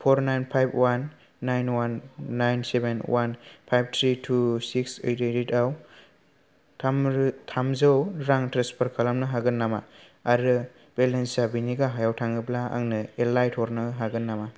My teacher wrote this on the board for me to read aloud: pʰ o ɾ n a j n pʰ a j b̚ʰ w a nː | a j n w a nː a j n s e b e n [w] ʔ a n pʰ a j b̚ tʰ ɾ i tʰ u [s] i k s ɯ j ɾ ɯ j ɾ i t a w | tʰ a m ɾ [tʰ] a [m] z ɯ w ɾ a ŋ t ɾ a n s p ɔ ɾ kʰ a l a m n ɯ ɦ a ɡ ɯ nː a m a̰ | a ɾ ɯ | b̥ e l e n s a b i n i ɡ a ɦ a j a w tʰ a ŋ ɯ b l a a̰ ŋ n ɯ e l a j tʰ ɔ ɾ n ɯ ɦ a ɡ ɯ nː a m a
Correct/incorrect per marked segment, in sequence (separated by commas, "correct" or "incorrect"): correct, correct, correct, correct